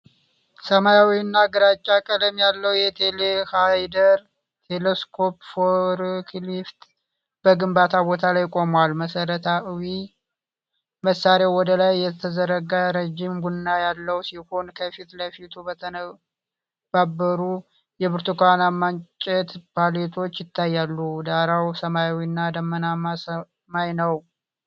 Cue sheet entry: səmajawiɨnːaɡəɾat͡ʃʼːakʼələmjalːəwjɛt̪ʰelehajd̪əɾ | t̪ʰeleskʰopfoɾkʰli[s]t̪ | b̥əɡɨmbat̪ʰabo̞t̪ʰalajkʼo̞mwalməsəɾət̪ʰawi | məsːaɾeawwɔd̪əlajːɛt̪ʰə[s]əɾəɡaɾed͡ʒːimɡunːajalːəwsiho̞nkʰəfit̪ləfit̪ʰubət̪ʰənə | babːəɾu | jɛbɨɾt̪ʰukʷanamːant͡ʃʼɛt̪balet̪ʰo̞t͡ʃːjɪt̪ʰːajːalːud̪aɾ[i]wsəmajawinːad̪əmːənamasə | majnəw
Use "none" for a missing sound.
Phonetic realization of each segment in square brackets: f, z, a

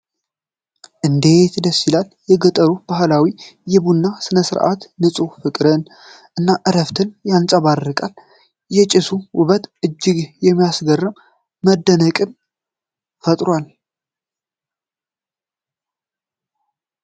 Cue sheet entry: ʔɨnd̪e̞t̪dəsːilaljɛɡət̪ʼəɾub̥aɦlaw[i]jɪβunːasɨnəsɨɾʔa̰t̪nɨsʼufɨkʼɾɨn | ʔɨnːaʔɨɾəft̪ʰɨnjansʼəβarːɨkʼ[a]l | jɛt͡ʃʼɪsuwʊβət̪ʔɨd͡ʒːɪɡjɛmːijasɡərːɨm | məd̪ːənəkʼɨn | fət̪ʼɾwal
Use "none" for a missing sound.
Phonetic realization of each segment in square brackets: i, a

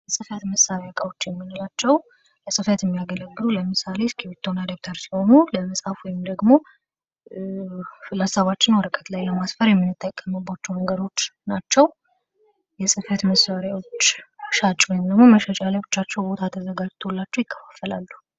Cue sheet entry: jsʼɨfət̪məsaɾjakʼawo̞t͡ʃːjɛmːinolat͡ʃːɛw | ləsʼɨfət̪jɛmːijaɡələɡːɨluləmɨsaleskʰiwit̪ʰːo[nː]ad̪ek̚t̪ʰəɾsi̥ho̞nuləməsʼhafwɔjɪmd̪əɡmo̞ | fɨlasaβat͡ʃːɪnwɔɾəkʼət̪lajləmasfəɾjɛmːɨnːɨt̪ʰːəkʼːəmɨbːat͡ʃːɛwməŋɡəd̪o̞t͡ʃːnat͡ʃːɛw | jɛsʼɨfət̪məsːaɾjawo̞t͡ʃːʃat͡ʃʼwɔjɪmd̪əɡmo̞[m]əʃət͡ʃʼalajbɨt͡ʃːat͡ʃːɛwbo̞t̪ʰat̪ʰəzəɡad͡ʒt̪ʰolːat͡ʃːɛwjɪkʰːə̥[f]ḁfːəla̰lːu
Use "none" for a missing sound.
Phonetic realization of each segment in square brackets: n, m, f

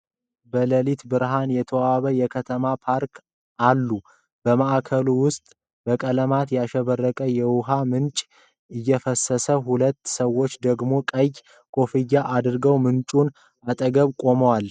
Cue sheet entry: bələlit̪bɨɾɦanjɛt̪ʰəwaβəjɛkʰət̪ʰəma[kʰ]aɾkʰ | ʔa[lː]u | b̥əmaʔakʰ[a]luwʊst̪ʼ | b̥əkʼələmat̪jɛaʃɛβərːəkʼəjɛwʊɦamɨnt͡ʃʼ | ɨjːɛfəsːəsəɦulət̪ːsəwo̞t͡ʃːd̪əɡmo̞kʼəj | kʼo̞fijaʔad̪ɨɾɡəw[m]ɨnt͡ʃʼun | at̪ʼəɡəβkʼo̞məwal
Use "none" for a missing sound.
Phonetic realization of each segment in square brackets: pʰ, lː, ə, m

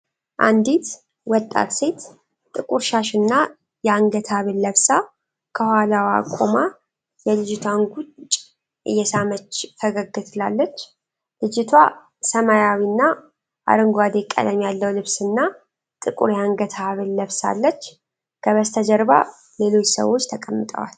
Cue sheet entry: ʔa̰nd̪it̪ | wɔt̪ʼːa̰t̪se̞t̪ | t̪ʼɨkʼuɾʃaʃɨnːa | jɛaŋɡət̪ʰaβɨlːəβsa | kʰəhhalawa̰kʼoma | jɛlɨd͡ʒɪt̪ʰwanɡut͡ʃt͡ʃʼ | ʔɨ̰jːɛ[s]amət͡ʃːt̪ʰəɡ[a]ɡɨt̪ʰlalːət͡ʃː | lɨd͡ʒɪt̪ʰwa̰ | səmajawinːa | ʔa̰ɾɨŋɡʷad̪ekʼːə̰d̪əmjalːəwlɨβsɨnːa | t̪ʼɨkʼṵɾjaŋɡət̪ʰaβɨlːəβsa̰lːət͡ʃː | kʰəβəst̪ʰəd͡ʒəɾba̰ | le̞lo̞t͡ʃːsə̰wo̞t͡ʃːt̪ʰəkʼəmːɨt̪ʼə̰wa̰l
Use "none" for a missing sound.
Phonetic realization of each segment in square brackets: s, ə

